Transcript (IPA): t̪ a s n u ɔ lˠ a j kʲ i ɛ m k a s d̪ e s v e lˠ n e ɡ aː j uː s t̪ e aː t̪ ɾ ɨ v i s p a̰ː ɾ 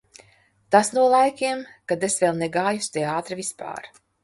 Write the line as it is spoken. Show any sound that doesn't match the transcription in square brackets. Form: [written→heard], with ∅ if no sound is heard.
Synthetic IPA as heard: t̪ a s n u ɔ lˠ a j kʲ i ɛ m k a [s→∅] d̪ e s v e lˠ n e ɡ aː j [uː→u] s t̪ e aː t̪ ɾ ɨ v i s p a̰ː ɾ